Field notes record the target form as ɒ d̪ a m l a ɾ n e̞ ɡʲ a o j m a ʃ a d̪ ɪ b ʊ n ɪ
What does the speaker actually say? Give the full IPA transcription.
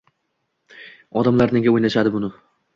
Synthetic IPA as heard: ɒ d̪ a m l a ɾ n e̞ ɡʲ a o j n a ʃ a d̪ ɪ b ʊ n ɪ

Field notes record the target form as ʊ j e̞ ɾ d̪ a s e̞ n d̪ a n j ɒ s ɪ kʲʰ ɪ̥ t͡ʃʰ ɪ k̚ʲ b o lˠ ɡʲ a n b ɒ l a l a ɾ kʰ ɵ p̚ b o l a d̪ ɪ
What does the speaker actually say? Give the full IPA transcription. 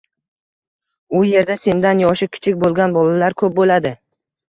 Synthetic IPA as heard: ʊ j e̞ ɾ d̪ a s e̞ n d̪ a n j ɒ ʃ ɪ kʲʰ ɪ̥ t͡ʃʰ ɪ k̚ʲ b o lˠ ɡʲ a n b ɒ l a l a ɾ kʰ ɵ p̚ b o l a d̪ ɪ

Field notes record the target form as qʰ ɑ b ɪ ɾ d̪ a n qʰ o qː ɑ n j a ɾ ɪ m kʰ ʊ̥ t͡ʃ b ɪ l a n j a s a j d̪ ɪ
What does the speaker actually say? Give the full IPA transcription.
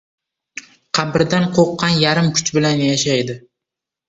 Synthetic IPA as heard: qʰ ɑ b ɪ ɾ d̪ a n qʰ o qː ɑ n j a ɾ ɪ m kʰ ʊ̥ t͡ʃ b ɪ l a n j a ʃ a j d̪ ɪ

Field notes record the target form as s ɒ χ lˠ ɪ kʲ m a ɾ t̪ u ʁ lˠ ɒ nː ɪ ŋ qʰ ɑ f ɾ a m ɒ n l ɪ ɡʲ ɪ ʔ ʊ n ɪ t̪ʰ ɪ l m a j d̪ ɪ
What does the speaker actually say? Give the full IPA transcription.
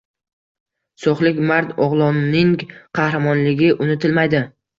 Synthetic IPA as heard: s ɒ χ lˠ ɪ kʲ m a ɾ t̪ ɒ ʁ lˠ ɒ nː ɪ ŋ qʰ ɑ h ɾ a m ɒ n l ɪ ɡʲ ɪ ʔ ʊ n ɪ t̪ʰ ɪ l m a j d̪ ɪ

